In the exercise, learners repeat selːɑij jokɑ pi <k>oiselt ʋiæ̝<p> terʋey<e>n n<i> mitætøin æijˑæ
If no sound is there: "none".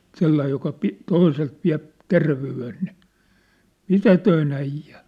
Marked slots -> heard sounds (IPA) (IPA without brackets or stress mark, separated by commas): t, p, e, i